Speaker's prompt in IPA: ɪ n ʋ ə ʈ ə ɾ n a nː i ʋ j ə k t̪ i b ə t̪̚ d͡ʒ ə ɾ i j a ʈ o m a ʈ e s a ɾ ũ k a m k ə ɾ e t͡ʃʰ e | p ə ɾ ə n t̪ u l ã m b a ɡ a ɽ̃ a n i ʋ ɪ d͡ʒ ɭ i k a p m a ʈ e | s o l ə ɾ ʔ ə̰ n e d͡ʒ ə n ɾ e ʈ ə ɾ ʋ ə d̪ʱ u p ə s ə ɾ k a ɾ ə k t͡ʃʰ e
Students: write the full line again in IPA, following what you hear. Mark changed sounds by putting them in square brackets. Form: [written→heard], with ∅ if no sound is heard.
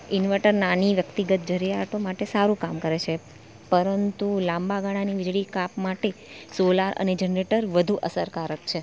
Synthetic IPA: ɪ n ʋ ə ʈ ə ɾ n a [nː→n] i ʋ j ə k t̪ i [b→ɡ] ə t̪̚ d͡ʒ ə ɾ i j a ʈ o m a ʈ e s a ɾ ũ k a m k ə ɾ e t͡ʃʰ e | p ə ɾ ə n t̪ u l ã m b a ɡ a ɽ̃ a n i ʋ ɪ d͡ʒ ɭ i k a p m a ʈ e | s o l [ə→a] ɾ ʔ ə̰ n e d͡ʒ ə n ɾ e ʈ ə ɾ ʋ ə d̪ʱ u [p→ʔ] ə s ə ɾ k a ɾ ə k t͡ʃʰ e

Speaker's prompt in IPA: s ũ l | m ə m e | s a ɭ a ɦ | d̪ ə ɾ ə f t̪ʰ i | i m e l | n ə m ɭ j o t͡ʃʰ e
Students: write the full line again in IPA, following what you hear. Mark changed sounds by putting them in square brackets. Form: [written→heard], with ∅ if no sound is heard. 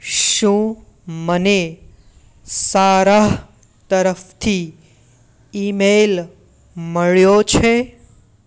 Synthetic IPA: [s→ʃ] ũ [l→∅] | m ə [m→n] e | s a [ɭ→ɾ] a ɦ | [d̪→t̪] ə ɾ ə f t̪ʰ i | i m e l | [n→m] ə [m→∅] ɭ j o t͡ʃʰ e

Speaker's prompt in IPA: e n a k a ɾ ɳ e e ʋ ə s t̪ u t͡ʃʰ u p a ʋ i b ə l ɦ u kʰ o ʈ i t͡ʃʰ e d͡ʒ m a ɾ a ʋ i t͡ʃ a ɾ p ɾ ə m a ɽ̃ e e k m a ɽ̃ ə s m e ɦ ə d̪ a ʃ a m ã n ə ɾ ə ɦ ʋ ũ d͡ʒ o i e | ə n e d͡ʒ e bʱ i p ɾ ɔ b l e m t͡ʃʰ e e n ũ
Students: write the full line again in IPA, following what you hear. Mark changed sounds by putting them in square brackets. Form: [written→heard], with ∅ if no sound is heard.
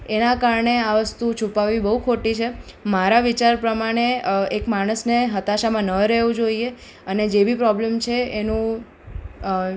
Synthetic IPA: e n a k a ɾ ɳ e [e→a] ʋ ə s t̪ u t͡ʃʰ u p a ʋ i b ə [l→∅] ɦ u kʰ o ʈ i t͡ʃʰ e [d͡ʒ→∅] m a ɾ a ʋ i t͡ʃ a ɾ p ɾ ə m a ɽ̃ e e k m a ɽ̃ ə s [m→n] e ɦ ə [d̪→t̪] a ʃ a m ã n ə ɾ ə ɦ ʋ ũ d͡ʒ o i e | ə n e d͡ʒ e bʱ i p ɾ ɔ b l e m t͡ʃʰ e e n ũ

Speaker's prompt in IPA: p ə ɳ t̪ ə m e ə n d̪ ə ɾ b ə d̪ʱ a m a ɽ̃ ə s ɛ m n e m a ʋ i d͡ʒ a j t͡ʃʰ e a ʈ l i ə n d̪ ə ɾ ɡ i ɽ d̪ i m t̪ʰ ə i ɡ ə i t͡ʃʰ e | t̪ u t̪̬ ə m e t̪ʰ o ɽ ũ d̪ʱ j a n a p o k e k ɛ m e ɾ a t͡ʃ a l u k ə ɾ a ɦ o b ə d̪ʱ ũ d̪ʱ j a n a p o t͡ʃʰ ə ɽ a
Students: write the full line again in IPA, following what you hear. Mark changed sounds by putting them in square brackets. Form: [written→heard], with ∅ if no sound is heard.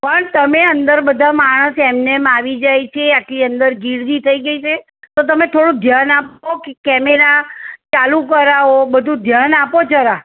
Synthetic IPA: p ə ɳ t̪ ə m e ə n d̪ ə ɾ b ə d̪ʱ a m a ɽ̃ ə s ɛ m n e m a ʋ i d͡ʒ a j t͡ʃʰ e a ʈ l i ə n d̪ ə ɾ ɡ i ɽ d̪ i [m→∅] t̪ʰ ə i ɡ ə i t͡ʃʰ e | t̪ [u→o] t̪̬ ə m e t̪ʰ o ɽ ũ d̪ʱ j a n a p o k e k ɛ m e ɾ a t͡ʃ a l u k ə ɾ a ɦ o b ə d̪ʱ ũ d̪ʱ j a n a p o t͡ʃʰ ə [ɽ→ɾ] a

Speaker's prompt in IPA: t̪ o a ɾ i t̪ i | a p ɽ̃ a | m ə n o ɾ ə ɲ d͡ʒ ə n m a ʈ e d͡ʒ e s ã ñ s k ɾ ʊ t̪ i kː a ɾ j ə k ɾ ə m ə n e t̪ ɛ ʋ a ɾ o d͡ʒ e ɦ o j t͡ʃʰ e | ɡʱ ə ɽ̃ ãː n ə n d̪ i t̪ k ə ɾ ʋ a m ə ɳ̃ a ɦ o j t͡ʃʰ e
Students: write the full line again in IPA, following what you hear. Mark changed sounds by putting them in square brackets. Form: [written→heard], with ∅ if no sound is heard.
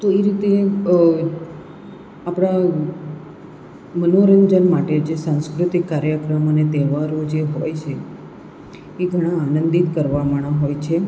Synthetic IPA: t̪ o [a→e] ɾ i t̪ [i→e] | a p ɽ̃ a | m ə n o ɾ ə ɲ d͡ʒ ə n m a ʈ e d͡ʒ e s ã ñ s k ɾ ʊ t̪ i kː a ɾ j ə k ɾ ə m ə n e t̪ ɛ ʋ a ɾ o d͡ʒ e ɦ o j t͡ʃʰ e | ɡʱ ə ɽ̃ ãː n ə n d̪ i t̪ k ə ɾ ʋ a m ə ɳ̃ a ɦ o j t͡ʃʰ e

